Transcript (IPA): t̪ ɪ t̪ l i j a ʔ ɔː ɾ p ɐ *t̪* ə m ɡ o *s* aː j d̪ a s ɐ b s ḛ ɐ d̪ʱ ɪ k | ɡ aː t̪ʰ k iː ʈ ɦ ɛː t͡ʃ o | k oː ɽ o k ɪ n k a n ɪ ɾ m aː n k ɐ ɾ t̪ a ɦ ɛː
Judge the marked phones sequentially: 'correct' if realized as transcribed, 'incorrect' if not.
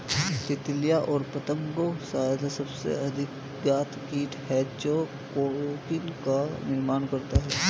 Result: correct, correct

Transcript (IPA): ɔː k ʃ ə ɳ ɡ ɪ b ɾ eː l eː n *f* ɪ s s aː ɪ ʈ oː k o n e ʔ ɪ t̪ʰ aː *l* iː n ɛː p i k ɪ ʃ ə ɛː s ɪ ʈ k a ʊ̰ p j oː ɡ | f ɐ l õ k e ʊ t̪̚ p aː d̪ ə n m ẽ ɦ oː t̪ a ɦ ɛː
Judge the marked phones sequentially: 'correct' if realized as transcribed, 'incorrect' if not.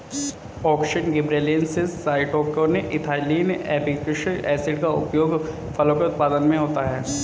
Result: incorrect, correct

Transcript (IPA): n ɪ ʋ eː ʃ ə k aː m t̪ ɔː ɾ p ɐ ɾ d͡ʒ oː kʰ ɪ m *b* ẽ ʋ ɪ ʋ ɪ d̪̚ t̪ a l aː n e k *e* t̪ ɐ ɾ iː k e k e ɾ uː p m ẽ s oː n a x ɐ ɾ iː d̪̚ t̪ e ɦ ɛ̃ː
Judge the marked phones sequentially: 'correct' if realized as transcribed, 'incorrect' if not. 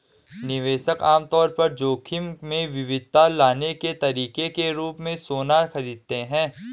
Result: incorrect, correct

